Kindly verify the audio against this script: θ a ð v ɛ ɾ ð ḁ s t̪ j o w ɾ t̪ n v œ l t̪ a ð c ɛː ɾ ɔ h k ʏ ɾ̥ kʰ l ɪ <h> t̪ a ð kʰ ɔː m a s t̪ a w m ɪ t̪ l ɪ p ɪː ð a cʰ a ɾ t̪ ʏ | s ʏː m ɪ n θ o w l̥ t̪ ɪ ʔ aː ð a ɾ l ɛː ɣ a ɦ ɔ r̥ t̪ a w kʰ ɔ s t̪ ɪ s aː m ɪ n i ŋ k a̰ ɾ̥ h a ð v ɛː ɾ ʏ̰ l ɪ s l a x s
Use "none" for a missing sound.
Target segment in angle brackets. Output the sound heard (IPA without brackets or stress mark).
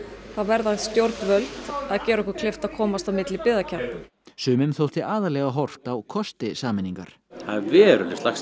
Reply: f